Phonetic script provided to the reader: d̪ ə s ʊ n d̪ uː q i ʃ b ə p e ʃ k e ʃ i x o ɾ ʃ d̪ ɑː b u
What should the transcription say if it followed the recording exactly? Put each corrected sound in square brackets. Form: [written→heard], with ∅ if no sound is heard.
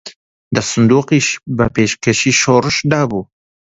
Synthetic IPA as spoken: d̪ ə s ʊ n d̪ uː q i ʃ b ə p e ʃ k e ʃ i [x→ʃ] o ɾ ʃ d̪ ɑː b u

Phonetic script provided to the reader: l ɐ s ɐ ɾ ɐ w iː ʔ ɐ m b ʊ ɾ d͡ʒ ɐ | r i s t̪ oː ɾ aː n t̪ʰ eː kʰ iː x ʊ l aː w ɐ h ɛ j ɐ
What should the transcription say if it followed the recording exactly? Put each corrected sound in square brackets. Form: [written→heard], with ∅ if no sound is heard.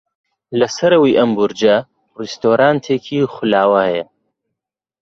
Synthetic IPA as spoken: l ɐ s ɐ ɾ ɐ w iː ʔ ɐ m b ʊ ɾ d͡ʒ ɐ | r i s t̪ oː ɾ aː n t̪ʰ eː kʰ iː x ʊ l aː w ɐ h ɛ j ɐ

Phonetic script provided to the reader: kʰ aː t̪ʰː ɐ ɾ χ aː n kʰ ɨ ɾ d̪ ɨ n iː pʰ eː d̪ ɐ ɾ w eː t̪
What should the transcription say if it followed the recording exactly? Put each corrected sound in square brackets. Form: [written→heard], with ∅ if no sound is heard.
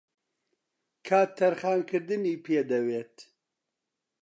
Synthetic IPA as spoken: kʰ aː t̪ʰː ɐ ɾ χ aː n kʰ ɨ ɾ d̪ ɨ n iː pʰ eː d̪ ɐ [ɾ→∅] w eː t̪

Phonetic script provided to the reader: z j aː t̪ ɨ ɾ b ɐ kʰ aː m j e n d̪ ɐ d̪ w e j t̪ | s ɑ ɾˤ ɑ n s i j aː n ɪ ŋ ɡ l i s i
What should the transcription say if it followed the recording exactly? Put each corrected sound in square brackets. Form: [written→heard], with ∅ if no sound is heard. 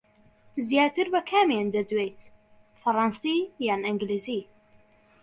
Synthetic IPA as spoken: z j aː t̪ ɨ ɾ b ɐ kʰ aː m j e n d̪ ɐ d̪ w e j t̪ | [s→f] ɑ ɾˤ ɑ n s i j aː n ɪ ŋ ɡ l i [s→z] i

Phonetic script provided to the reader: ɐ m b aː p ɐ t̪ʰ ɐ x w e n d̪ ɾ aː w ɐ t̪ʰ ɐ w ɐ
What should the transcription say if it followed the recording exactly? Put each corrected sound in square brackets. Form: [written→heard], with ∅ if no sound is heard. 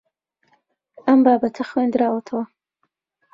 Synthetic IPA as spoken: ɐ m b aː [p→b] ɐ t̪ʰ ɐ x w e n d̪ ɾ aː w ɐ t̪ʰ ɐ w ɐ

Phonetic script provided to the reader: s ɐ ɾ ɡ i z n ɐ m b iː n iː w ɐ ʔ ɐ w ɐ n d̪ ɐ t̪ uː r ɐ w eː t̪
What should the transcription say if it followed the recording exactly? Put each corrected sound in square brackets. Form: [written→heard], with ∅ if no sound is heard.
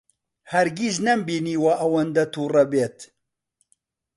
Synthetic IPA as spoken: [s→h] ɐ ɾ ɡ i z n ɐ m b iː n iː w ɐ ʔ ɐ w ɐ n d̪ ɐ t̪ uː r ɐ [w→b] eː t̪

